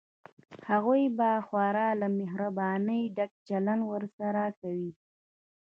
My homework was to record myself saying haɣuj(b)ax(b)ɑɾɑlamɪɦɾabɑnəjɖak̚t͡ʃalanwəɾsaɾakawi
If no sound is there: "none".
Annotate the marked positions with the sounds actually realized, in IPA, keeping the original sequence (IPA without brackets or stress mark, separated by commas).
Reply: b, w